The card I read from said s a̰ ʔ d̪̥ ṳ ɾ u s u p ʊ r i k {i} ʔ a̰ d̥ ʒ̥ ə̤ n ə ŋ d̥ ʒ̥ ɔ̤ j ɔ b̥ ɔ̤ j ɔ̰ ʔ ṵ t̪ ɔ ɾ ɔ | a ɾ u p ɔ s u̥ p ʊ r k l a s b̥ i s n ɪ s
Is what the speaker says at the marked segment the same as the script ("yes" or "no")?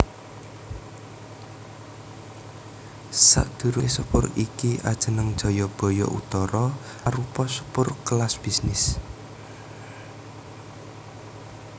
yes